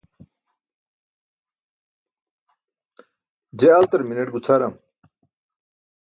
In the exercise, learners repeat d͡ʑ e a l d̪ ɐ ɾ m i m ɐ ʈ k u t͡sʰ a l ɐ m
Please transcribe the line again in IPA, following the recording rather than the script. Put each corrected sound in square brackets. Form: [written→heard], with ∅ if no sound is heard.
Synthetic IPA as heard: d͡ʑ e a l [d̪→t̪] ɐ ɾ m i [m→n] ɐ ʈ [k→ɡ] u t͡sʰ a [l→ɾ] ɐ m